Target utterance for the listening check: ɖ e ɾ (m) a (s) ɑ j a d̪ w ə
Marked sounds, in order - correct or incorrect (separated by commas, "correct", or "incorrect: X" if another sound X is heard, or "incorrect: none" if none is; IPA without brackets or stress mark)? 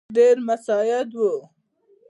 correct, correct